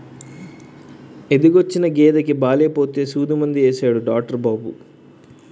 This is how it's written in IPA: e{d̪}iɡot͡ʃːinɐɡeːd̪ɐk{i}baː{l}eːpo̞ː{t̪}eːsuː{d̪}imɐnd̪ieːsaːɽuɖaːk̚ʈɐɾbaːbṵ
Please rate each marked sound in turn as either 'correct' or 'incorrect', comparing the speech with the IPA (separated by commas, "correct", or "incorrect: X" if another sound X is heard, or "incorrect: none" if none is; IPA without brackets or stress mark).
correct, correct, correct, correct, correct